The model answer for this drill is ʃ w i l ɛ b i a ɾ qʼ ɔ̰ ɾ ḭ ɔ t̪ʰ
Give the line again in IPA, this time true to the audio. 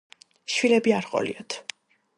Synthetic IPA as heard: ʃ w i l ɛ b i a ɾ qʼ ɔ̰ l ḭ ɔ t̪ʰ